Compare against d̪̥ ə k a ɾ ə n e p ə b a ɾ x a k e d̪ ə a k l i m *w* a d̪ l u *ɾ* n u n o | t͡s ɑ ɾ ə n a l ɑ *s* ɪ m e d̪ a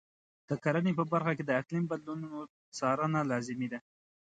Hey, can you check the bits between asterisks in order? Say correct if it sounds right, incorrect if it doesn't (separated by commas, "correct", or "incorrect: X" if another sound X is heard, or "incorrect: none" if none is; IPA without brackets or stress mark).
incorrect: b, incorrect: none, incorrect: z